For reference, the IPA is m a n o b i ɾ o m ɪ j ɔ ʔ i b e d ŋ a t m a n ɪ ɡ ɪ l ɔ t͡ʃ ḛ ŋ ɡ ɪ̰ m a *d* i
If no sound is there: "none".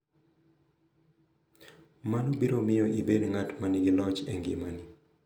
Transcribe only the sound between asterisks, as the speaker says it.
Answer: n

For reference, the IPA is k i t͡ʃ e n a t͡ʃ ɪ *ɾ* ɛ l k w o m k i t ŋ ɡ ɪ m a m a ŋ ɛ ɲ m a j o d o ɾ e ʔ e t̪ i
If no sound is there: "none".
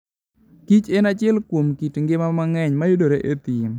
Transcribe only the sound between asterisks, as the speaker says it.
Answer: none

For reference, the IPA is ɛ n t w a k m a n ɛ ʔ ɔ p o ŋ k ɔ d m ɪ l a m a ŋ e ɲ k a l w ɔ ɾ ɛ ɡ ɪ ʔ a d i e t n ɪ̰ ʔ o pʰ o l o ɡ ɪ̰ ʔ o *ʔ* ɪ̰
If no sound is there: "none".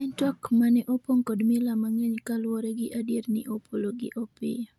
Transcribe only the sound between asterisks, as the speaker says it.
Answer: p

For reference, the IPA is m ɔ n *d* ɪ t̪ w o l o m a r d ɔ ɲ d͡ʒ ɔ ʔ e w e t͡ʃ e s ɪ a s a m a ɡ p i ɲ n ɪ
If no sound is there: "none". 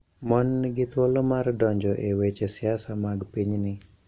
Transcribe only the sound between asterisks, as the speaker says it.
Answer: ɡ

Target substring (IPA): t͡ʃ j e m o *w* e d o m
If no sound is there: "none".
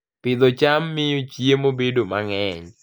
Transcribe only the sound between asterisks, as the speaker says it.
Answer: b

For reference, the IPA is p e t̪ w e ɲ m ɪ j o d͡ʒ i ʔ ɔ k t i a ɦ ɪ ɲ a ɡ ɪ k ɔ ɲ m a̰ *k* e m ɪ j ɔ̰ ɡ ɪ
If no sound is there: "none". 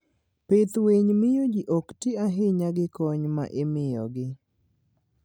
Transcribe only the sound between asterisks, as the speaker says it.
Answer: ʔ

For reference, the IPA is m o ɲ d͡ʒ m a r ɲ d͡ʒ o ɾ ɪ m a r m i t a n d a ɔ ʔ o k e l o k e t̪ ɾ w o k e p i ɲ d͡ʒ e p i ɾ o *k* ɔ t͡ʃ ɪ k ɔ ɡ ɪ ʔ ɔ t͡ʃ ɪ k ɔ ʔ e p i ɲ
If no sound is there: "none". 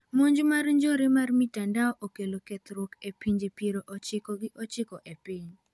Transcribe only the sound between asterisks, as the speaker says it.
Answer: ʔ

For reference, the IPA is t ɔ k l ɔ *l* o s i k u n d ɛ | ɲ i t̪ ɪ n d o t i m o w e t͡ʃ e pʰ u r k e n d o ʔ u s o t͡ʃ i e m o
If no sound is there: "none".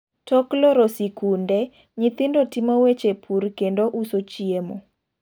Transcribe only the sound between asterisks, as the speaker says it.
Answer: ɾ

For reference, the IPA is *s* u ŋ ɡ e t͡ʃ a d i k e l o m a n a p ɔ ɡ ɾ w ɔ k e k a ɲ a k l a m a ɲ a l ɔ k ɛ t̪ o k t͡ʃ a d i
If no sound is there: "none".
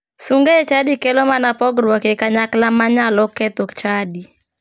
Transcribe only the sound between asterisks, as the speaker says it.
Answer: s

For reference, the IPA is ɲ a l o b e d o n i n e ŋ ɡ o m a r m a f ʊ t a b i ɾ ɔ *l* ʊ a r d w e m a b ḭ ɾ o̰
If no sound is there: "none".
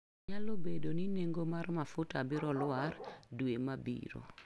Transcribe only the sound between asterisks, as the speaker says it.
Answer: l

